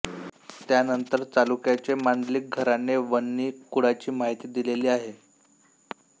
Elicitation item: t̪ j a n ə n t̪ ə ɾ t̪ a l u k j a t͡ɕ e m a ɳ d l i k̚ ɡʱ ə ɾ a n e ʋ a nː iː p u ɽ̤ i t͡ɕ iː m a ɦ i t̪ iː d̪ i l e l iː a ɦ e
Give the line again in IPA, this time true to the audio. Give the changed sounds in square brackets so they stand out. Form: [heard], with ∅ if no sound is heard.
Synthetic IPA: t̪ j a n ə n t̪ ə ɾ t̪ a l u k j a t͡ɕ e m a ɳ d l i k̚ ɡʱ ə ɾ a n e ʋ [ə] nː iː [k] u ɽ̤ [a] t͡ɕ iː m a ɦ i t̪ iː d̪ i l e l iː a ɦ e